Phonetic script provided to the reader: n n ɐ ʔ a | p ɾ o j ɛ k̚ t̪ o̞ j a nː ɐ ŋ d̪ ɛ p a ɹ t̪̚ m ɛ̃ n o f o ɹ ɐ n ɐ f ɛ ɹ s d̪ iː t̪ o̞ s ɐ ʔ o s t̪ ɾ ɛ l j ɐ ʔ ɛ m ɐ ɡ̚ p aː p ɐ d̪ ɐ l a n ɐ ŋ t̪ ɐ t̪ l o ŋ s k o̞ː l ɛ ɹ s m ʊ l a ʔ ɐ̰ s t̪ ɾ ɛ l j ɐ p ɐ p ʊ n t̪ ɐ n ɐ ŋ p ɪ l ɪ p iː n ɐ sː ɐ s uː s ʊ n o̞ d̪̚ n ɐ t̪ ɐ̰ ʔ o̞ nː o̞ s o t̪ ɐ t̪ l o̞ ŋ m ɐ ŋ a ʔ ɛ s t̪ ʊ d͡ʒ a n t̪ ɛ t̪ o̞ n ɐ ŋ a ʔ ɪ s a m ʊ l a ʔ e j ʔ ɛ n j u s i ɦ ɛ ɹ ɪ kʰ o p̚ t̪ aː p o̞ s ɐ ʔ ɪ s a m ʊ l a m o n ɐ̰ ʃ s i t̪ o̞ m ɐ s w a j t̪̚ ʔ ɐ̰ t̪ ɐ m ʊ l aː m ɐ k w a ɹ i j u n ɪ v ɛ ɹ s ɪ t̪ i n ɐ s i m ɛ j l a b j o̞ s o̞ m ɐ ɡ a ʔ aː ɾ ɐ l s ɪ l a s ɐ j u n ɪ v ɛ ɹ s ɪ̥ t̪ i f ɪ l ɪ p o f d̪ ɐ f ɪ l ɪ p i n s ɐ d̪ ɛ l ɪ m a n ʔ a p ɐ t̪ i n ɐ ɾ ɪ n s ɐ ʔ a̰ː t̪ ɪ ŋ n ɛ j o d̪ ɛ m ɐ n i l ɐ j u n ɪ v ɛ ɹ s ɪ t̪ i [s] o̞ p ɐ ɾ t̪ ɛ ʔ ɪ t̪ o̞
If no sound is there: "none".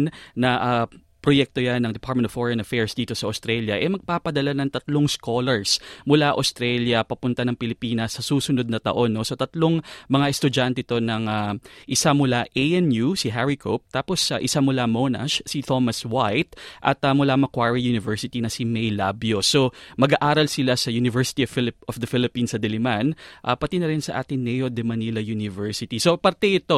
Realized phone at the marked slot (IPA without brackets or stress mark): s